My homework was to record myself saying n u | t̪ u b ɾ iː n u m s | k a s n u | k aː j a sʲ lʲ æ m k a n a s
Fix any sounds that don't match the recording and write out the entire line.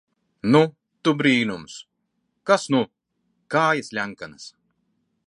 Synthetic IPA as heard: n u | t̪ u b ɾ iː n u m s | k a s n u | k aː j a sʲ lʲ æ ŋ k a n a s